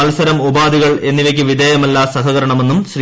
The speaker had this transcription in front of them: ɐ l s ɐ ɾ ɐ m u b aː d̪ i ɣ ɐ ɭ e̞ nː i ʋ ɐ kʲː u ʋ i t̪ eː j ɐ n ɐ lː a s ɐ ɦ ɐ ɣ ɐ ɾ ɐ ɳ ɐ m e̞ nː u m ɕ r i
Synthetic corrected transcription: ɐ l s ɐ ɾ ɐ m u b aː d̪ i ɣ ɐ ɭ e̞ nː i ʋ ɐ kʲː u ʋ i d̪ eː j ɐ m ɐ lː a s ɐ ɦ ɐ ɣ ɐ ɾ ɐ ɳ ɐ m e̞ nː u m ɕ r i

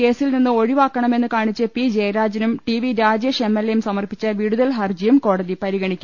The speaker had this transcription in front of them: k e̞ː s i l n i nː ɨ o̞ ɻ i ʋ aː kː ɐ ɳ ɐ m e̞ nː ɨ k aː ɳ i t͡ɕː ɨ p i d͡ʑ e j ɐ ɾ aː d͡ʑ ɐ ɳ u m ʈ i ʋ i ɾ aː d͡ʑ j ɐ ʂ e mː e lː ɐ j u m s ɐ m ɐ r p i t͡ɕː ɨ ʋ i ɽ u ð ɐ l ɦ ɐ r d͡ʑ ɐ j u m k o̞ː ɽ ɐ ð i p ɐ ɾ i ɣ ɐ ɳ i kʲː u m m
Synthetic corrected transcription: k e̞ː s i l n i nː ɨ o̞ ɻ i ʋ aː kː ɐ ɳ ɐ m e̞ nː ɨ k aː ɳ i t͡ɕː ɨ p i d͡ʑ e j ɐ ɾ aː d͡ʑ ɐ n u m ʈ i ʋ i ɾ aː d͡ʑ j ɐ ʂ e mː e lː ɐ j u m s ɐ m ɐ r p i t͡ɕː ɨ ʋ i ɽ u ð ɐ l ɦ ɐ r d͡ʑ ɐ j u m k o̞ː ɽ ɐ ð i p ɐ ɾ i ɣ ɐ ɳ i kʲː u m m

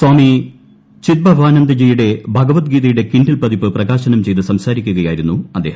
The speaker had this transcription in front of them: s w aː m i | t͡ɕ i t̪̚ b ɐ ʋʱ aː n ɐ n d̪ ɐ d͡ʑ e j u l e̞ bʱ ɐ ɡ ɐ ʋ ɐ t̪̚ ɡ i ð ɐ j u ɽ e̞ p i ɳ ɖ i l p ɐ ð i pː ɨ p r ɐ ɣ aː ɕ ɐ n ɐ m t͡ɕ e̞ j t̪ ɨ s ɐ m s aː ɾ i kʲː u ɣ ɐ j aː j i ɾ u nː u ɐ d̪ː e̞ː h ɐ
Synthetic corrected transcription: s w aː m i | t͡ɕ i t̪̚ b ɐ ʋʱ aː n ɐ n d̪ ɐ d͡ʑ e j u ɽ e̞ bʱ ɐ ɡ ɐ ʋ ɐ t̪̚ ɡ iː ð ɐ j u ɽ e̞ k i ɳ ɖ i l p ɐ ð i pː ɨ p r ɐ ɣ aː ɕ ɐ n ɐ m t͡ɕ e̞ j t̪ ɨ s ɐ m s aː ɾ i kʲː u ɣ ɐ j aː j i ɾ u nː u ɐ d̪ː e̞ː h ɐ

